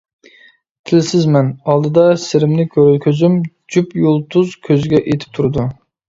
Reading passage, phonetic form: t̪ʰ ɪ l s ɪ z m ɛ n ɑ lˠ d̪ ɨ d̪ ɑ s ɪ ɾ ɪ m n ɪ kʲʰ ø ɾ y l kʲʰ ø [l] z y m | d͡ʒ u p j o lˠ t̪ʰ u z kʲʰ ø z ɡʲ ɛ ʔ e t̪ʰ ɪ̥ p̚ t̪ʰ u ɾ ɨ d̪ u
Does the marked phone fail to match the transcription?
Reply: yes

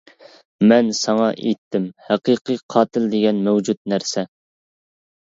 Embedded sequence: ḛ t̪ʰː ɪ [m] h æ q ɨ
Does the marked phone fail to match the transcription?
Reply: no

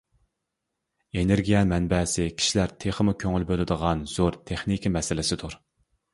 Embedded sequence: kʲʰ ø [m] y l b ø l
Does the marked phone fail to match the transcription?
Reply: yes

